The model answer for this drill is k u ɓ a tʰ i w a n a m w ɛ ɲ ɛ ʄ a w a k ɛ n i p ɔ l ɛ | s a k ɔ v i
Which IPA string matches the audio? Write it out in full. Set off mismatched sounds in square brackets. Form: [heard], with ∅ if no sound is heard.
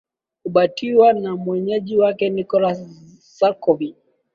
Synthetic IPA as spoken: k u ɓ a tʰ i w a n a m w ɛ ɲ ɛ ʄ [i] w a k ɛ n i [k] ɔ l [a] | s a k ɔ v i

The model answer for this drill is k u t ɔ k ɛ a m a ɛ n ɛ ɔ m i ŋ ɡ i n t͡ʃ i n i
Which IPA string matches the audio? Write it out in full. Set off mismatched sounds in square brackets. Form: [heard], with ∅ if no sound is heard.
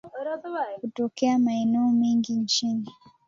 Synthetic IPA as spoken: k u t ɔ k ɛ a m a ɛ n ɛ ɔ m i ŋ ɡ i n t͡ʃ i n i

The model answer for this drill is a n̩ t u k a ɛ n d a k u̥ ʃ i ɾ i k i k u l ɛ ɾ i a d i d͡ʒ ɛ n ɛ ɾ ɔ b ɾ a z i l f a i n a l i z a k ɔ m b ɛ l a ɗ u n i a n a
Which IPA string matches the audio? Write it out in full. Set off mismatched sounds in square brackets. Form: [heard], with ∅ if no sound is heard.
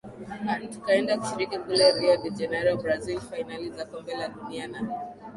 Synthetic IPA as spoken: a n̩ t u k a ɛ n d a k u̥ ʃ i ɾ i k i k u l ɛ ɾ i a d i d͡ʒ ɛ n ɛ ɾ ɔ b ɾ a z i l f a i n a l i z a k ɔ m b ɛ l a ɗ u n i a n a

